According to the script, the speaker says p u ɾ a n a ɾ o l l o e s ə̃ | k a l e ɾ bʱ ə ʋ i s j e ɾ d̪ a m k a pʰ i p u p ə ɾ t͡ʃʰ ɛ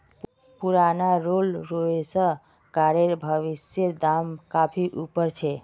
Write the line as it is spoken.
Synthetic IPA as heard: p u ɾ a n a ɾ o l ɾ o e s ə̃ | k a ɾ e ɾ bʱ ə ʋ i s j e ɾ d̪ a m k a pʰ i ʔ u p ə ɾ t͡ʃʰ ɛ